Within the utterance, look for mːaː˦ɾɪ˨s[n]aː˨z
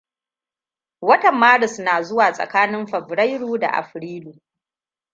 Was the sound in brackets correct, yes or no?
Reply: yes